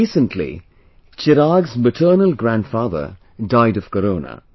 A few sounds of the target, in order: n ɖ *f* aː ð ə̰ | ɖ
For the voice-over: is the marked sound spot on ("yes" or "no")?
yes